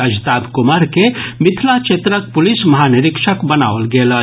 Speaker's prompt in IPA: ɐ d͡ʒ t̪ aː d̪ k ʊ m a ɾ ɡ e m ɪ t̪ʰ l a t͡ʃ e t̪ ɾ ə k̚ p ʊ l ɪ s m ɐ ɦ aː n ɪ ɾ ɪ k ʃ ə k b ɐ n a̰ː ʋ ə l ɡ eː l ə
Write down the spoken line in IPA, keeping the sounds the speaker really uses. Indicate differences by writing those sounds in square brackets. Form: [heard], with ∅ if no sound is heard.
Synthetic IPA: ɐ d͡ʒ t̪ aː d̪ k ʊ m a ɾ [k] e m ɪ t̪ʰ l a t͡ʃ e t̪ ɾ ə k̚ p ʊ l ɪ s m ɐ ɦ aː n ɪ ɾ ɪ k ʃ ə k b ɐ n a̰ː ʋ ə l ɡ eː l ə